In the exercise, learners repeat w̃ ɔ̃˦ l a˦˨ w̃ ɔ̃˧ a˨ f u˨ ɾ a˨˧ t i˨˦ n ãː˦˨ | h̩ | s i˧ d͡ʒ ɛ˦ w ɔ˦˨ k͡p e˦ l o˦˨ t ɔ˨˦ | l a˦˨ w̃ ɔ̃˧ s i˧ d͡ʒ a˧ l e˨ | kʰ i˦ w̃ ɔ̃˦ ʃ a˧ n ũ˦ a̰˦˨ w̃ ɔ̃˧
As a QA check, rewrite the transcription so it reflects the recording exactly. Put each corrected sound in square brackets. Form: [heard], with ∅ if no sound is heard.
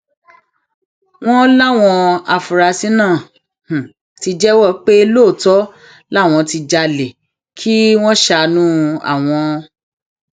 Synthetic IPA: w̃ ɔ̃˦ l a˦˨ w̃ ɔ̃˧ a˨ f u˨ ɾ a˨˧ [s] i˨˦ n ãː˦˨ | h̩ | [t] i˧ d͡ʒ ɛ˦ w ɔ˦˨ k͡p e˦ l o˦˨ t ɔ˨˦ | l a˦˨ w̃ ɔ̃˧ [t] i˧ d͡ʒ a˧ l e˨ | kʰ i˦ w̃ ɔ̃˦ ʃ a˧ n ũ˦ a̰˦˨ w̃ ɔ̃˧